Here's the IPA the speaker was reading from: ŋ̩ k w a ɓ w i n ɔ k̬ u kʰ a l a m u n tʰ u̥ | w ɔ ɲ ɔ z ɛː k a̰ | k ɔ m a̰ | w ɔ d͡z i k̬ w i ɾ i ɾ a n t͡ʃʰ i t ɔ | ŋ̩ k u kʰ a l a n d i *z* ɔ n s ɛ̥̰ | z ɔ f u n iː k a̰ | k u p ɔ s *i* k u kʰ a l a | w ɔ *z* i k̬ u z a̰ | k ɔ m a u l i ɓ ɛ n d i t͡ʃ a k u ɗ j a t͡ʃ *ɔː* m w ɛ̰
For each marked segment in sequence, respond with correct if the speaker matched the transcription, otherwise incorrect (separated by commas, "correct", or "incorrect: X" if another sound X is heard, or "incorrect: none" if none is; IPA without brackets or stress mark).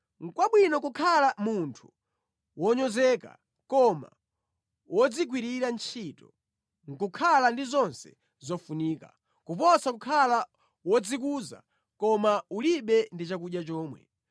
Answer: correct, incorrect: a, incorrect: d͡z, correct